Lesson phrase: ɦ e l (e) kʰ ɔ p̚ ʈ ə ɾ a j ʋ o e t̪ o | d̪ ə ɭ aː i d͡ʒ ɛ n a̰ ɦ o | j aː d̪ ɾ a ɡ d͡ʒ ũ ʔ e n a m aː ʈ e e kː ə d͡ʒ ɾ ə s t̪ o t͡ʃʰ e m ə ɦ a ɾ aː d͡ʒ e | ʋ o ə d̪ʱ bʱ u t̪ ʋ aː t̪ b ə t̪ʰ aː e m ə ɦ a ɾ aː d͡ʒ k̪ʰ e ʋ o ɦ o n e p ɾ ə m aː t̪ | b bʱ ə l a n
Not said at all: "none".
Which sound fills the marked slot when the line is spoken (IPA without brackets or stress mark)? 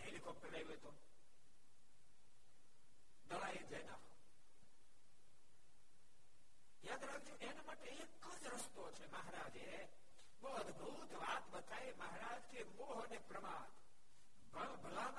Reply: i